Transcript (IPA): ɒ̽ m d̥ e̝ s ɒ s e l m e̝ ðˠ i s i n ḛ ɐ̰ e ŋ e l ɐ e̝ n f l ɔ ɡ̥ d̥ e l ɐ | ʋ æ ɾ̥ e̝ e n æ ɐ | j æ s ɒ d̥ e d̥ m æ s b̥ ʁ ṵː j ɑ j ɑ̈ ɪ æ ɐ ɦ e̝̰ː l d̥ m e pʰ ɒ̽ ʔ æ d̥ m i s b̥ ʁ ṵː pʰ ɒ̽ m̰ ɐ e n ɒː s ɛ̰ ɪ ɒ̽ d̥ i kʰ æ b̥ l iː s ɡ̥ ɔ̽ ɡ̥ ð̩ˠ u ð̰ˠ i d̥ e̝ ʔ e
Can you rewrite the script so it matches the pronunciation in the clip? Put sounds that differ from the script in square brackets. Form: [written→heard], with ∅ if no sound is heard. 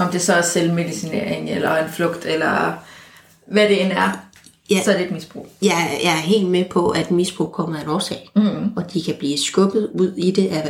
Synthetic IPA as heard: ɒ̽ m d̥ e̝ s ɒ s e l m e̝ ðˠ i s i n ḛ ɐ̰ e ŋ e l ɐ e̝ n f l ɔ ɡ̥ d̥ e l ɐ | ʋ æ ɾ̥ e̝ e n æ ɐ | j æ s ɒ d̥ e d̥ m [æ→i] s b̥ ʁ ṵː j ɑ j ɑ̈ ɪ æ ɐ ɦ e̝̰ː l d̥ m e pʰ ɒ̽ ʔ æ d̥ m i s b̥ ʁ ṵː [pʰ→kʰ] ɒ̽ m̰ ɐ e n ɒː s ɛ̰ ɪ ɒ̽ d̥ i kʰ æ b̥ l iː s ɡ̥ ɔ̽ ɡ̥ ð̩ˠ u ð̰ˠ i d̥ e̝ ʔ [e→æ]